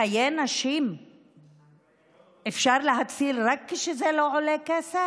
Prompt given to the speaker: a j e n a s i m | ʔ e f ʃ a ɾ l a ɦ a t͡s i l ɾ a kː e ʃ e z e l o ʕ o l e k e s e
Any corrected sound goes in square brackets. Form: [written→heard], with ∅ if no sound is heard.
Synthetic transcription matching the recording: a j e n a [s→ʃ] i m | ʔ e f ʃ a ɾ l [a→e] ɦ a t͡s i l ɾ a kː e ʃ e z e l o ʕ o l e k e s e